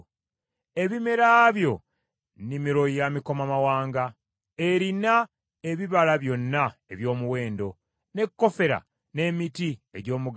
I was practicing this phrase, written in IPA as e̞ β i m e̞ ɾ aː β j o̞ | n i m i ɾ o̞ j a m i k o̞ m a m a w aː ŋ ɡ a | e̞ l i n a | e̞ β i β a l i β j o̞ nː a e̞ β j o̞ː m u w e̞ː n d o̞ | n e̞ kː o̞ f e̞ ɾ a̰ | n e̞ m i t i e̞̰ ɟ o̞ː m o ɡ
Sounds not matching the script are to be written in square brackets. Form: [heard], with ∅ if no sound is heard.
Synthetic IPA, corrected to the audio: e̞ β i m e̞ ɾ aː β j o̞ | n i m i ɾ o̞ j a m i k o̞ m a m a w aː ŋ ɡ a | e̞ [ɾ] i n a | e̞ β i β a l [a] β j o̞ nː a e̞ β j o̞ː m u w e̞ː n d o̞ | n e̞ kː o̞ f e̞ ɾ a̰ | n e̞ m i t i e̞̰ ɟ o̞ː m [u] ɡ